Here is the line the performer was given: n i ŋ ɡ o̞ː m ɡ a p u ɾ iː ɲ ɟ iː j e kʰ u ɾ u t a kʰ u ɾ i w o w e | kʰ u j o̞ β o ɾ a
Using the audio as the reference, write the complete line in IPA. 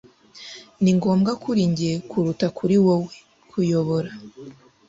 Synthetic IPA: n i ŋ ɡ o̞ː m ɡ a k u ɾ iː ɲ ɟ i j e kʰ u ɾ u t a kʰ u ɾ i w o w e | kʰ u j o̞ β o ɾ a